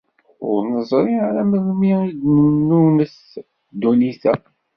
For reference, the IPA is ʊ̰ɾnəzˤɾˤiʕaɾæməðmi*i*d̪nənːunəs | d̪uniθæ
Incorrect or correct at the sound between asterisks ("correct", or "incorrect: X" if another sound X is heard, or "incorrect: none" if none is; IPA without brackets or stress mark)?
correct